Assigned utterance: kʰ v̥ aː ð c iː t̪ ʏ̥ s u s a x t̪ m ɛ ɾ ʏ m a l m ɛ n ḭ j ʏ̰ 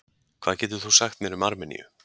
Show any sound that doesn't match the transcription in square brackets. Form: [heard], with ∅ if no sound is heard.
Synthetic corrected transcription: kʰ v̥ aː ð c [ɛː] t̪ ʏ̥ [θ] u s a x t̪ m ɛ ɾ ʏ m a [ɾ] m ɛ n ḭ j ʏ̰